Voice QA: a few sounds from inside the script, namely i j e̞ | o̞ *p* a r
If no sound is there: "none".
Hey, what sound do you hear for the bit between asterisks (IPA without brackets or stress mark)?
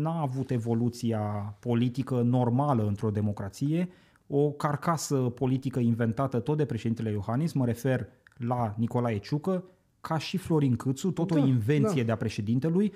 k